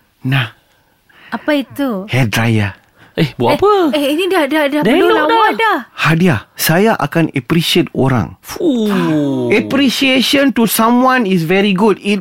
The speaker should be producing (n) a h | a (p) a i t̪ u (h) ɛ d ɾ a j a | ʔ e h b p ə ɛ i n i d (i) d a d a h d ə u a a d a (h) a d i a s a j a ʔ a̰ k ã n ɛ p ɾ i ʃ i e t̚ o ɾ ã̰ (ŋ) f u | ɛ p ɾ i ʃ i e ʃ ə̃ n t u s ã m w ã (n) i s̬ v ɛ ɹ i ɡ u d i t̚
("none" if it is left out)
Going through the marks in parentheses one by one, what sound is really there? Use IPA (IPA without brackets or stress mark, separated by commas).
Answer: n, p, h, a, h, ŋ, n